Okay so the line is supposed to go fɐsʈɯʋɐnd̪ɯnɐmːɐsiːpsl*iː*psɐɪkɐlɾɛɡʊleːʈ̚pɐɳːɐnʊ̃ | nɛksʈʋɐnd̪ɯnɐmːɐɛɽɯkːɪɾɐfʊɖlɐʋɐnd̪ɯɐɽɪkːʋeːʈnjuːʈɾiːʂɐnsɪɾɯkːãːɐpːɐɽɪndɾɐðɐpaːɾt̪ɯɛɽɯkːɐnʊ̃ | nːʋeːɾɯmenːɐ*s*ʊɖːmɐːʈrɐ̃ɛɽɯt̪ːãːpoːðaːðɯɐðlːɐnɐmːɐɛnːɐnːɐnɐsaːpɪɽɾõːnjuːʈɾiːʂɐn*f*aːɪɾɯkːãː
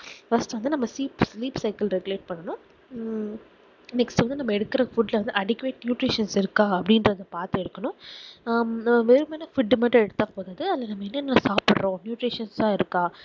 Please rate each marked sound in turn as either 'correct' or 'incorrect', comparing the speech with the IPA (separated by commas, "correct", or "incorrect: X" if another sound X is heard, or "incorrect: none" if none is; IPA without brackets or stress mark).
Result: correct, incorrect: f, incorrect: s